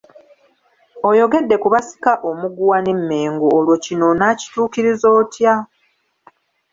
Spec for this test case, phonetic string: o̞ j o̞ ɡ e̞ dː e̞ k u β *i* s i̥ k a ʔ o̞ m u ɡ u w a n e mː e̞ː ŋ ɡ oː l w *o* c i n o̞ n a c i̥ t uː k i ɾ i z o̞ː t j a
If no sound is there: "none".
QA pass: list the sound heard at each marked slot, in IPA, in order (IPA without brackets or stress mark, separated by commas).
a, o